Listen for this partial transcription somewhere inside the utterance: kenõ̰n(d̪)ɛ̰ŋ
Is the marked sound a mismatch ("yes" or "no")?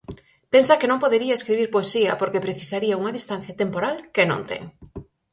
yes